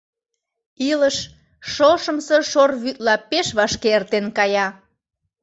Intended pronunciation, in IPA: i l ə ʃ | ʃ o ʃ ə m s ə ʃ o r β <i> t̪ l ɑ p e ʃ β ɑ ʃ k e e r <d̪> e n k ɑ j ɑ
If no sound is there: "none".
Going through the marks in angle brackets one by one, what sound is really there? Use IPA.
y, t̪

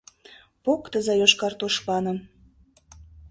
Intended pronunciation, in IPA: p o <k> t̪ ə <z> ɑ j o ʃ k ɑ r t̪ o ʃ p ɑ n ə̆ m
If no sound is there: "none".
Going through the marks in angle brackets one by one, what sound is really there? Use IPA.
k, z

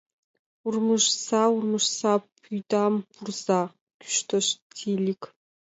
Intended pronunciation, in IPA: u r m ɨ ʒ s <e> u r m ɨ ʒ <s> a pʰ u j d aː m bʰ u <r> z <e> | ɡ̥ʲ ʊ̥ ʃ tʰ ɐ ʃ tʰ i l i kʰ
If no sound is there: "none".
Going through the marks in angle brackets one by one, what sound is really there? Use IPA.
a, s, r, a

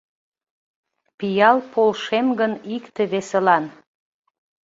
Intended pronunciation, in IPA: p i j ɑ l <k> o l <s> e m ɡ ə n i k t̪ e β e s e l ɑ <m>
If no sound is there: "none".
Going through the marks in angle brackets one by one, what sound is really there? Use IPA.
p, ʃ, n

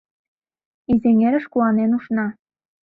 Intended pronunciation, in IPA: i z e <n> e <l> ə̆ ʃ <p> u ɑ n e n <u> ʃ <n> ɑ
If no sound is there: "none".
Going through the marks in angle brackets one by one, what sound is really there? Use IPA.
ŋ, ɾ, k, u, n

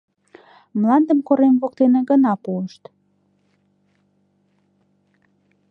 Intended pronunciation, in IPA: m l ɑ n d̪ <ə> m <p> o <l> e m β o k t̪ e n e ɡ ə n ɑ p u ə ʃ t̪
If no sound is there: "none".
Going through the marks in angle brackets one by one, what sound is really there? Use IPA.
ə, k, ɾ

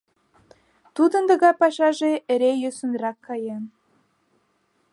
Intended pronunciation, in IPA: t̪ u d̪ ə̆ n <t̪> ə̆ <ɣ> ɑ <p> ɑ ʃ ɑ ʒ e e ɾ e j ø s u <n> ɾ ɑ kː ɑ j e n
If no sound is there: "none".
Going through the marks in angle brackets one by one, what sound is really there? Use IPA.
d̪, ɣ, p, n

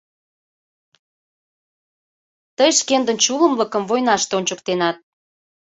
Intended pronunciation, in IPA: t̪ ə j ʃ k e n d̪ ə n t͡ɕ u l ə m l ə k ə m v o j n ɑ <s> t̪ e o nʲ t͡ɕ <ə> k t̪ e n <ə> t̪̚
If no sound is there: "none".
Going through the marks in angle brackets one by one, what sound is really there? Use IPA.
ʃ, ə, ɑ

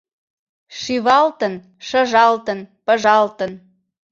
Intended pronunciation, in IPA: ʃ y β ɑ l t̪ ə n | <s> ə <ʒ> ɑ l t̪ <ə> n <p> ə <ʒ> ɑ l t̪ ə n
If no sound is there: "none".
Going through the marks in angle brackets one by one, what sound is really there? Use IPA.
ʃ, ʒ, ə, p, ʒ

